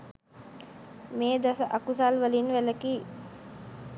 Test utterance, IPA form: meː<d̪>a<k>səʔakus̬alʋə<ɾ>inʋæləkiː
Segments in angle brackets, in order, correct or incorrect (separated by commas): correct, incorrect, incorrect